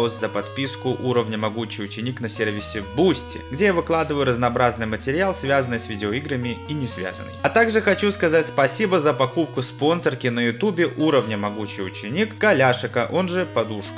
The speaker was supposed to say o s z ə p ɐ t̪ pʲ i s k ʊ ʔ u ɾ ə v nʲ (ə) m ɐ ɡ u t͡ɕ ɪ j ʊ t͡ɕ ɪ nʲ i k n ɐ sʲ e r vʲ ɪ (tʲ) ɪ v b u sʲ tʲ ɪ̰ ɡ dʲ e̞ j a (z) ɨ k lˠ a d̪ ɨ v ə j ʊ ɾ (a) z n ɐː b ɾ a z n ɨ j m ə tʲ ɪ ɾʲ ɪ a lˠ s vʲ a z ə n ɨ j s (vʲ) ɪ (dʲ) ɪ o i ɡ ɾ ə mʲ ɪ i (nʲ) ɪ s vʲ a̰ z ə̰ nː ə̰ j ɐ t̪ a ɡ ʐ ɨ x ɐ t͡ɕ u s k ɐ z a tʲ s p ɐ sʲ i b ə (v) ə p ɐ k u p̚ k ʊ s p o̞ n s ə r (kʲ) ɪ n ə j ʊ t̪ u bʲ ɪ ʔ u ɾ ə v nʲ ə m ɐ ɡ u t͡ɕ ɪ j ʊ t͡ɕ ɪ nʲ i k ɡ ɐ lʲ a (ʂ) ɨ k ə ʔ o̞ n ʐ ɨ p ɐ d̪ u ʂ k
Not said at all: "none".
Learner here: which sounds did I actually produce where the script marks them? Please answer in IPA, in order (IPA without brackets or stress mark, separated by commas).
ə, sʲ, v, ə, vʲ, dʲ, nʲ, z, kʲ, ʂ